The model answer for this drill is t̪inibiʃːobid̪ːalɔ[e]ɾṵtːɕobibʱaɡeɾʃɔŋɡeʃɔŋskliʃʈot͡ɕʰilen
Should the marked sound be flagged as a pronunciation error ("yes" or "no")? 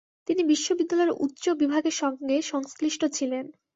no